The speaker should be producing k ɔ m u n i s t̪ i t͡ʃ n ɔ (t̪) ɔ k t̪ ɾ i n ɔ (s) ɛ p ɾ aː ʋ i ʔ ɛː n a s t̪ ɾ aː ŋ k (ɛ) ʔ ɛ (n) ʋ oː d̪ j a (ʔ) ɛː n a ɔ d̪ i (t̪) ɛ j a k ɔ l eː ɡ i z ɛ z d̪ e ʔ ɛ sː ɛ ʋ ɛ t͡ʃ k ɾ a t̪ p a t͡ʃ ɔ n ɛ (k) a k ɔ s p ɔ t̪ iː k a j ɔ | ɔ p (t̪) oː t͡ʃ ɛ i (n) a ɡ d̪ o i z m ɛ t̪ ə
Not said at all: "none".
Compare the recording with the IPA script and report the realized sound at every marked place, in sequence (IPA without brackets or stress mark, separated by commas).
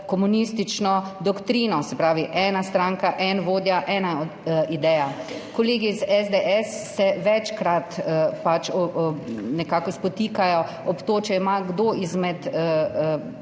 d̪, s, a, n, ʔ, d̪, k, t̪, m